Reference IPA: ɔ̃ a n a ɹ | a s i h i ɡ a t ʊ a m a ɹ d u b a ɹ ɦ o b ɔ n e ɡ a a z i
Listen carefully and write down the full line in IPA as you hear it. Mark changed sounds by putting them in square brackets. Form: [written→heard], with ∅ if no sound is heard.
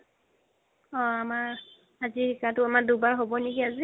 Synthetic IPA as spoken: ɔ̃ a [n→m] a ɹ | a [s→z] i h i [ɡ→k] a t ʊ a m a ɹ d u b a ɹ ɦ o b ɔ n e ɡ [a→i] a z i